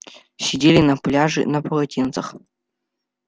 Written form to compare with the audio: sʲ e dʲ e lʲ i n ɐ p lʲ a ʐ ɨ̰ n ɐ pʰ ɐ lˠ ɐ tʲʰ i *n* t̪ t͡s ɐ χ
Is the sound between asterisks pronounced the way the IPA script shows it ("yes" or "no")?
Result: yes